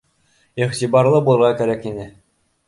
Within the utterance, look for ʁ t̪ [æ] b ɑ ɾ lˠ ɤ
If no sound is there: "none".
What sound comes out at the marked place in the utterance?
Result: i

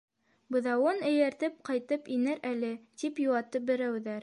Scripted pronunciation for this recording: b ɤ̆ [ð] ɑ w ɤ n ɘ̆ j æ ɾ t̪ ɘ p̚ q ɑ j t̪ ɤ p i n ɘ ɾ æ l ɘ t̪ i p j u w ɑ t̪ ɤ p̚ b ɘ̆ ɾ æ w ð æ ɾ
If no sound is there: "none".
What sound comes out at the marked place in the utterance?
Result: ð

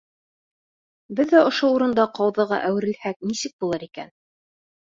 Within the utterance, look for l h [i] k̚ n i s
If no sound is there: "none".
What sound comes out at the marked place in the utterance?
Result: æ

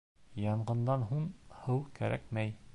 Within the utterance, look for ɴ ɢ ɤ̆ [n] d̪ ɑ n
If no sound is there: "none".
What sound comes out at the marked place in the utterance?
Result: n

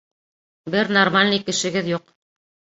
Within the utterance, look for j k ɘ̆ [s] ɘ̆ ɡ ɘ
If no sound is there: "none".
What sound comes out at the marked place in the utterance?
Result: ʃ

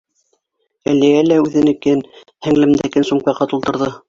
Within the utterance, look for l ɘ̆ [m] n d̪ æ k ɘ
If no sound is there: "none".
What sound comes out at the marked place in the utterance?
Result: m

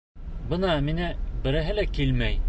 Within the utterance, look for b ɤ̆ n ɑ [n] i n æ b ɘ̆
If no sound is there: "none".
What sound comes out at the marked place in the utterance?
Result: m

